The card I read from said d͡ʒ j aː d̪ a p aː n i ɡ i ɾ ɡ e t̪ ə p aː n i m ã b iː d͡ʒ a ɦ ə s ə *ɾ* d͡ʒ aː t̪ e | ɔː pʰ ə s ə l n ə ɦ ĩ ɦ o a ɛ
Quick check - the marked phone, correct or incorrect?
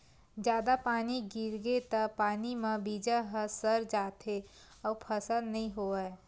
correct